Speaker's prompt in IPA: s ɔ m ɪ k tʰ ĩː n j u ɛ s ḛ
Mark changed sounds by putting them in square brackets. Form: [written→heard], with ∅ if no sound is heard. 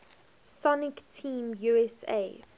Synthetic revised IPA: s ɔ [m→n] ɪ k tʰ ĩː [n→m] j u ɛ s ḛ